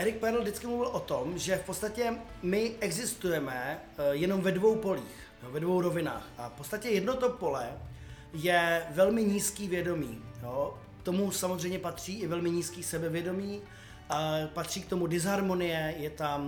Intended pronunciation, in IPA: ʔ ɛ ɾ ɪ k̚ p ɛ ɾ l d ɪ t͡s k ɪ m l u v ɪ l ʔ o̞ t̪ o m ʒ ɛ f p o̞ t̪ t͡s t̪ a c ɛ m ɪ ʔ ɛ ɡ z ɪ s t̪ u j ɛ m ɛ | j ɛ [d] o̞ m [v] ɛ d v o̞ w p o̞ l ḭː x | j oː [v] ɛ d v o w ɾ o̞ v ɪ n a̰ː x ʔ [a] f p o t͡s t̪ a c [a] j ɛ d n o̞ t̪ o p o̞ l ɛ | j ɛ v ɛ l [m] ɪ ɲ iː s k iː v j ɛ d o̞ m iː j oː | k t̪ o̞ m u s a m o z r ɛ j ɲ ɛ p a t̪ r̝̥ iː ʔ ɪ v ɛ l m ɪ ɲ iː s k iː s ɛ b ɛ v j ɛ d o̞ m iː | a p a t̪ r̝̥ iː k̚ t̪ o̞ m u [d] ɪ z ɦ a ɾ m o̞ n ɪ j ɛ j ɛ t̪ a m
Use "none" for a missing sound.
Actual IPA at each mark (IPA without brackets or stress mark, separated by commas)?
n, v, v, a, ɛ, m, d